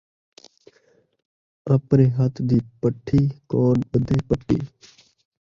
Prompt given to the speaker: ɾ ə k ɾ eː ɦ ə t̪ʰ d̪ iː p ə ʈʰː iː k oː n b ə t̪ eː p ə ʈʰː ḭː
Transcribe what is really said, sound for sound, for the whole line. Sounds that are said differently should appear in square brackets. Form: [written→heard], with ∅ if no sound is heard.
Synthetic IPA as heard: ɾ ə [k→p] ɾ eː ɦ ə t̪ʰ d̪ iː p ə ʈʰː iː k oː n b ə [t̪→d̪] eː p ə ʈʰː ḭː